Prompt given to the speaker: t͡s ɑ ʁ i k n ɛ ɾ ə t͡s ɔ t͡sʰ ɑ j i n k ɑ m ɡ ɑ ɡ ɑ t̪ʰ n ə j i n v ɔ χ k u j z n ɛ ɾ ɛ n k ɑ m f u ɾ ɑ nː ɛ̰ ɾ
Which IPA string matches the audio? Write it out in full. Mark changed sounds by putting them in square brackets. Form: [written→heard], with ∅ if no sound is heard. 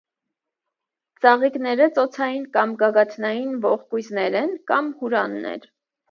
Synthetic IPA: t͡s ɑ ʁ i k n ɛ ɾ ə t͡s ɔ t͡sʰ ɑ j i n k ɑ m ɡ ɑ ɡ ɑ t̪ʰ n [ə→ɑ] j i n v ɔ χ k u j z n ɛ ɾ ɛ n k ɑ m [f→h] u ɾ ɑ nː ɛ̰ ɾ